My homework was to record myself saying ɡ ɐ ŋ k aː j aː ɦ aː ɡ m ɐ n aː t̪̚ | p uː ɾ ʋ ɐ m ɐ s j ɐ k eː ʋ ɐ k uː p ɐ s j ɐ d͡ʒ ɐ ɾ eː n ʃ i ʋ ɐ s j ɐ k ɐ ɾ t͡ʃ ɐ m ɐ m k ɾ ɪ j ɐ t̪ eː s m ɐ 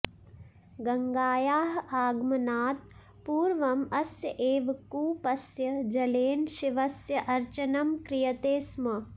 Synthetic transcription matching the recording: ɡ ɐ ŋ ɡ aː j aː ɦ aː ɡ m ɐ n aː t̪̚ | p uː ɾ ʋ ɐ m ɐ s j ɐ ʔ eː ʋ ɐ k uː p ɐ s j ɐ d͡ʒ ɐ l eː n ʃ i ʋ ɐ s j ɐ ʔ ɐ ɾ t͡ʃ ɐ n ɐ m k ɾ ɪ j ɐ t̪ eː s m ɐ

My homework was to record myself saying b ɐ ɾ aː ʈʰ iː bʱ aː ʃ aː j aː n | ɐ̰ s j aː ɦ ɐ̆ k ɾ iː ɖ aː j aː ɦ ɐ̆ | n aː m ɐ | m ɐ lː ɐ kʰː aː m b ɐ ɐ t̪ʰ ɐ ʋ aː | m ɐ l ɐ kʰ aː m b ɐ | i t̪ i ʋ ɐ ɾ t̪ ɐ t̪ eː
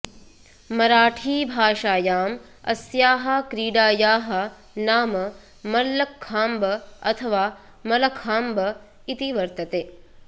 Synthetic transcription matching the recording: m ɐ ɾ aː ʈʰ iː bʱ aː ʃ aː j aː m | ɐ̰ s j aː ɦ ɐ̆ k ɾ iː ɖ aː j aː ɦ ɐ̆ | n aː m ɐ | m ɐ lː ɐ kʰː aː m b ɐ ɐ t̪ʰ ɐ ʋ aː | m ɐ l ɐ kʰ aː m b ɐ | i t̪ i ʋ ɐ ɾ t̪ ɐ t̪ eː

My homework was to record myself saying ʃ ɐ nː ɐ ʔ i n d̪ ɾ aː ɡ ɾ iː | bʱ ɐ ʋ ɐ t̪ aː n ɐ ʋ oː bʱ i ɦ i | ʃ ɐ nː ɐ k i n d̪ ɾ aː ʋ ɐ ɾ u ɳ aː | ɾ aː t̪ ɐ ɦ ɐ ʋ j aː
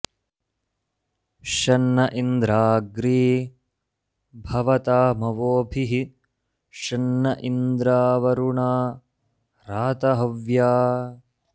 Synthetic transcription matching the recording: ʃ ɐ nː ɐ ʔ i n d̪ ɾ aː ɡ ɾ iː | bʱ ɐ ʋ ɐ t̪ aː m ɐ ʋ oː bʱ i ɦ i | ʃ ɐ nː ɐ ʔ i n d̪ ɾ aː ʋ ɐ ɾ u ɳ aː | ɾ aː t̪ ɐ ɦ ɐ ʋ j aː

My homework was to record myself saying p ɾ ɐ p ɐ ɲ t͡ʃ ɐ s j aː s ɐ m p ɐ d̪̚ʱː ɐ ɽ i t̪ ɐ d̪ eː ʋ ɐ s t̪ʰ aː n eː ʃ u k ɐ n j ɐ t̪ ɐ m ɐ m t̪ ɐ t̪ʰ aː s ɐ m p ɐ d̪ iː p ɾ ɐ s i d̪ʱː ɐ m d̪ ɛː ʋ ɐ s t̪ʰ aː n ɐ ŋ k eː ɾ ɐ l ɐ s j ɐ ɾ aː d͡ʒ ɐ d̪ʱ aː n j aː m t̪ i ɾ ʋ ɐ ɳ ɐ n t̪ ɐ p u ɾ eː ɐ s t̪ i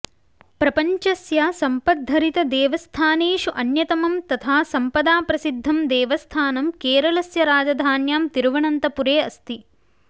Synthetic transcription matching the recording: p ɾ ɐ p ɐ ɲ t͡ʃ ɐ s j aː s ɐ m p ɐ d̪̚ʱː ɐ ɾ i t̪ ɐ d̪ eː ʋ ɐ s t̪ʰ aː n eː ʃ u ʔ ɐ n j ɐ t̪ ɐ m ɐ m t̪ ɐ t̪ʰ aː s ɐ m p ɐ d̪ aː p ɾ ɐ s i d̪ʱː ɐ m d̪ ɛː ʋ ɐ s t̪ʰ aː n ɐ m k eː ɾ ɐ l ɐ s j ɐ ɾ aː d͡ʒ ɐ d̪ʱ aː n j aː m t̪ i ɾ ʋ ɐ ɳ ɐ n t̪ ɐ p u ɾ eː ɐ s t̪ i

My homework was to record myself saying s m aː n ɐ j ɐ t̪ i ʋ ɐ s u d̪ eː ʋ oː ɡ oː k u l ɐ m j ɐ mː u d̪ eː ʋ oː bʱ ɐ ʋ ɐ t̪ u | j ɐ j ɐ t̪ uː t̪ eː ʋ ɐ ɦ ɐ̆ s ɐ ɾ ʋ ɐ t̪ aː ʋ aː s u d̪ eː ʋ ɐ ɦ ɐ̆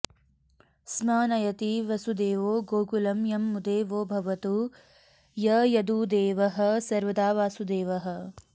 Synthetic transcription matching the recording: s m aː n ɐ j ɐ t̪ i ʋ ɐ s u d̪ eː ʋ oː ɡ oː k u l ɐ m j ɐ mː u d̪ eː ʋ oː bʱ ɐ ʋ ɐ t̪ u | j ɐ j ɐ d̪ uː d̪ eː ʋ ɐ ɦ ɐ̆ s ɐ ɾ ʋ ɐ d̪ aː ʋ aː s u d̪ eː ʋ ɐ ɦ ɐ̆

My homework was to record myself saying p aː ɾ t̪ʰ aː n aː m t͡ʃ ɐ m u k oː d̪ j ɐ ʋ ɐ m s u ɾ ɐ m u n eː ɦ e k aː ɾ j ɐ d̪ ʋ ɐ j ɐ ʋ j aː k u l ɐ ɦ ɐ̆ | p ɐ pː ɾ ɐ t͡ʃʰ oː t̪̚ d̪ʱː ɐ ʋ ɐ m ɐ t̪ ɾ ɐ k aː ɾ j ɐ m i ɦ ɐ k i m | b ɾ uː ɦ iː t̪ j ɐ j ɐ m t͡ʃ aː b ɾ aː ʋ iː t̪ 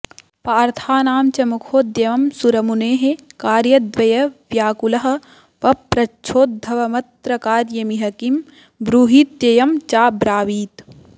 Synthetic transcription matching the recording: p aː ɾ t̪ʰ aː n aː m t͡ʃ ɐ m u kʰ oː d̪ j ɐ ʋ ɐ m s u ɾ ɐ m u n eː ɦ e k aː ɾ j ɐ d̪ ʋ ɐ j ɐ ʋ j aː k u l ɐ ɦ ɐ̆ | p ɐ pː ɾ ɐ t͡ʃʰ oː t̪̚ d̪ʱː ɐ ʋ ɐ m ɐ t̪ ɾ ɐ k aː ɾ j ɐ m i ɦ ɐ k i m | b ɾ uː ɦ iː t̪ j ɐ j ɐ m t͡ʃ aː b ɾ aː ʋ iː t̪

